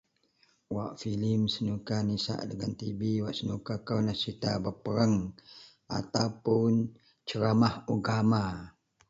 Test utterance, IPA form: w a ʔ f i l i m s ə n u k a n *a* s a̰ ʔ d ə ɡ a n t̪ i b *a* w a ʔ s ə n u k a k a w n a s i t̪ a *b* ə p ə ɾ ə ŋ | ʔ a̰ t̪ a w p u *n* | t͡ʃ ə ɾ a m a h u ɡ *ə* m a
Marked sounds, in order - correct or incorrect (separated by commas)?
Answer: incorrect, incorrect, correct, correct, incorrect